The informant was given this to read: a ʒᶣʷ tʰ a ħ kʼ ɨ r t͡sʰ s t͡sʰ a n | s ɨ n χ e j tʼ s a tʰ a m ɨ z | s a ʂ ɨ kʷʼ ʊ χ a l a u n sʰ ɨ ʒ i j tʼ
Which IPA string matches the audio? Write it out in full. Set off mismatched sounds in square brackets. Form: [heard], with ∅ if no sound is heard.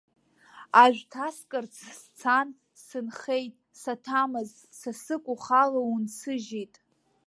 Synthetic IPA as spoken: a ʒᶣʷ tʰ a [s] kʼ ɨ r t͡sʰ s t͡sʰ a n | s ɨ n χ e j tʼ s a tʰ a m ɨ z | s a [s] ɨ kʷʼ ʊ χ a l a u n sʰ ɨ ʒ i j tʼ

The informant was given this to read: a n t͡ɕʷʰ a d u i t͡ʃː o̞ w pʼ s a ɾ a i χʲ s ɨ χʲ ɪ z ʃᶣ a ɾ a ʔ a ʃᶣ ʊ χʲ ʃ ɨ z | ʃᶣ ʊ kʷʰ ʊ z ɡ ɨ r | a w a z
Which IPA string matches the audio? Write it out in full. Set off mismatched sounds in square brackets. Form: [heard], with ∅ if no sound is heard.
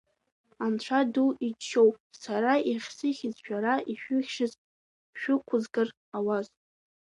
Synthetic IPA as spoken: a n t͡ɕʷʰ a d u i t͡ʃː o̞ w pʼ s a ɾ a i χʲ s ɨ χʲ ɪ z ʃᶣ a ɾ a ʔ [i] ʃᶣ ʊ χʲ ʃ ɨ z | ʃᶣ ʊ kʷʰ ʊ z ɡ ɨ r | a w a z

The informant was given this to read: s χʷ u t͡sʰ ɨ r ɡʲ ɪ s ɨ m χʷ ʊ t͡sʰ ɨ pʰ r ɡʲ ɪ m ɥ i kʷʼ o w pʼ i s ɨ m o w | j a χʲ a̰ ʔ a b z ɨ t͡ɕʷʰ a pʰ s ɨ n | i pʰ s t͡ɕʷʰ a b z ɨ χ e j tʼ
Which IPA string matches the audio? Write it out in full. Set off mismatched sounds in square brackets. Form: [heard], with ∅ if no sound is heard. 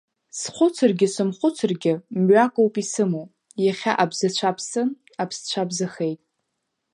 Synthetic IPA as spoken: s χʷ [ʊ] t͡sʰ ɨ r ɡʲ ɪ s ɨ m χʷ ʊ t͡sʰ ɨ [∅] r ɡʲ ɪ m ɥ [a] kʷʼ o w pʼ i s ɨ m o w | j a χʲ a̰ ʔ a b z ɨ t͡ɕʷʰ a pʰ s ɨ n | [a] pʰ s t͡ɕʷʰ a b z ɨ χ e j tʼ

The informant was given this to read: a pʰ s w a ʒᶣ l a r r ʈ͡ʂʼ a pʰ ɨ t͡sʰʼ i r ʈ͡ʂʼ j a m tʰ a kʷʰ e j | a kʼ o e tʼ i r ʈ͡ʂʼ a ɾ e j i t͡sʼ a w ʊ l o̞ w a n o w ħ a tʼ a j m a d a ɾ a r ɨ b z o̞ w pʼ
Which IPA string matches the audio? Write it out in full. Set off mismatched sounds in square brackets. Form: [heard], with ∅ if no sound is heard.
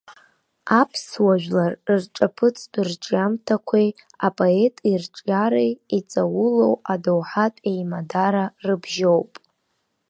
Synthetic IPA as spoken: a pʰ s w a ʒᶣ l a r r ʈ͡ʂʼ a pʰ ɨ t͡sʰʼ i r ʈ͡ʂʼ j a m tʰ a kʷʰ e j | a [pʼ] o e tʼ i r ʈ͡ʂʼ a ɾ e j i t͡sʼ a w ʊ l o̞ w a [d] o w ħ a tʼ [e] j m a d a ɾ a r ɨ b [ʒ] o̞ w pʼ

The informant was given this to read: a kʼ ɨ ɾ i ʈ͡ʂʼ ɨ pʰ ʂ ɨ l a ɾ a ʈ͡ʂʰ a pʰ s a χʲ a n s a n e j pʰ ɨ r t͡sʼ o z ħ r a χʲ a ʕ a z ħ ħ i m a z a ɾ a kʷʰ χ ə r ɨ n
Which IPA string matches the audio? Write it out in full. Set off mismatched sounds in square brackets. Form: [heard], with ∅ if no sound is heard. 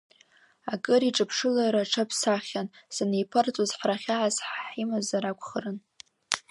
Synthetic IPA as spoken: a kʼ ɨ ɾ i ʈ͡ʂʼ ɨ pʰ ʂ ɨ l a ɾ a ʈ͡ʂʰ a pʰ s a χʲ a n s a n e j pʰ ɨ r t͡sʼ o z ħ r a χʲ a ʕ a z ħ ħ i m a z a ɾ a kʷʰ χ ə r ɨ n

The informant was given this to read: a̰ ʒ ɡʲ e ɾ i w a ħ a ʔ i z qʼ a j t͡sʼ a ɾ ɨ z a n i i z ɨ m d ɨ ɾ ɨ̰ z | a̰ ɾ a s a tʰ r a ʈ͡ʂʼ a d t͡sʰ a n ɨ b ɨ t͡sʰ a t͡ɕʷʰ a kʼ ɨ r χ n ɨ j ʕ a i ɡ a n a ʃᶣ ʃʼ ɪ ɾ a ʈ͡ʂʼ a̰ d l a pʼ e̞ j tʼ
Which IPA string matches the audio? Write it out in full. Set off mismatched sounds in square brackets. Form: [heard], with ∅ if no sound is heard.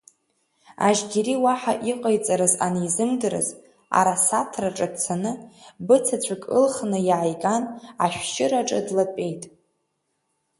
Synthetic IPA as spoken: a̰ ʒ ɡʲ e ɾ i w a ħ a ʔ i [∅] qʼ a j t͡sʼ a ɾ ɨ z a n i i z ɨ m d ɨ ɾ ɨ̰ z | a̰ ɾ a s a tʰ r a ʈ͡ʂʼ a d t͡sʰ a n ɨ b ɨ t͡sʰ a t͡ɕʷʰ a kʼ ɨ [l] χ n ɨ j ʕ a [j] ɡ a n a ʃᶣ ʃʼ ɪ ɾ a ʈ͡ʂʼ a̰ d l a pʼ e̞ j tʼ

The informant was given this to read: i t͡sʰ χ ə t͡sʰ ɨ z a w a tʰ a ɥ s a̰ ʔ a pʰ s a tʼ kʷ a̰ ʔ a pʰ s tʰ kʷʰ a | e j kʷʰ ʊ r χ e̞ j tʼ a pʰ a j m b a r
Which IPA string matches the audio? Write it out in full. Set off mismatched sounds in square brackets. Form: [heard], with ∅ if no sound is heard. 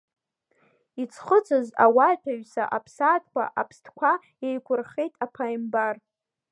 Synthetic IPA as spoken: i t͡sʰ χ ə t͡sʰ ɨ z a w a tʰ a ɥ s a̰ ʔ a pʰ s a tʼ kʷ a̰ ʔ a pʰ s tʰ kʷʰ a | e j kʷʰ ʊ r χ e̞ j tʼ a pʰ a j m b a r

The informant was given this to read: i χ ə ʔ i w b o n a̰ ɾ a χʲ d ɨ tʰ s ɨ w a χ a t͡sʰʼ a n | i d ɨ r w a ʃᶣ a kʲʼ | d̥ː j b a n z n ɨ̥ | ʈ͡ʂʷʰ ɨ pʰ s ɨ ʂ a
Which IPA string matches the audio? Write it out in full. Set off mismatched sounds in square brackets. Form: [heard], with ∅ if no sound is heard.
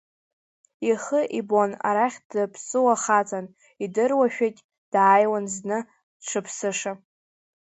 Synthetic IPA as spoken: i χ ə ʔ i [∅] b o n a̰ ɾ a χʲ d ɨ [pʰ] s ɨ w a χ a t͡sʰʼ a n | i d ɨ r w a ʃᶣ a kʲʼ | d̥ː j [w] a n z n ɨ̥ | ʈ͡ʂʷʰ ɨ pʰ s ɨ ʂ a

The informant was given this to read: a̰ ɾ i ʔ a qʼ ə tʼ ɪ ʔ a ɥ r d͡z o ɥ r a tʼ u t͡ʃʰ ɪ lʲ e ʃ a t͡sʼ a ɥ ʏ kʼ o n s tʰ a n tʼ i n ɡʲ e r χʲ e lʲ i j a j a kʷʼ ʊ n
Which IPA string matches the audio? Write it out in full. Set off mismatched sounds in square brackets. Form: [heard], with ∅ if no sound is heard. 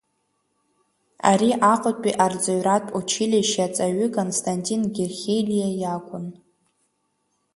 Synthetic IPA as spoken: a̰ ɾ i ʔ a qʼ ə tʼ [i] ʔ a [∅] r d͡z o ɥ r a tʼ u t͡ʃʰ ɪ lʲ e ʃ a t͡sʼ a ɥ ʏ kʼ o n s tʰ a n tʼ i n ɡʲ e r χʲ e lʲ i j a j a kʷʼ ʊ n

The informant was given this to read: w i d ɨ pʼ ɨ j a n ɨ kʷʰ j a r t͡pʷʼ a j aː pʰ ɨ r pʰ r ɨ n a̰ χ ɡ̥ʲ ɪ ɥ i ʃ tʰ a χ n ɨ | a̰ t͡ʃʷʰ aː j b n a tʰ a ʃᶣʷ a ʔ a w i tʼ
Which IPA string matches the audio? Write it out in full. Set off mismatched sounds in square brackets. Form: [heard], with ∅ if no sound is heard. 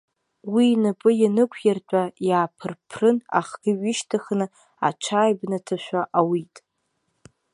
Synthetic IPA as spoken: w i [n] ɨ pʼ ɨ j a n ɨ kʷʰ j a r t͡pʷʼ a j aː pʰ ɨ r pʰ r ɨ n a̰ χ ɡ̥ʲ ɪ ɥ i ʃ tʰ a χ n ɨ | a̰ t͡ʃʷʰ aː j b n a tʰ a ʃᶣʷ a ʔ a w i tʼ

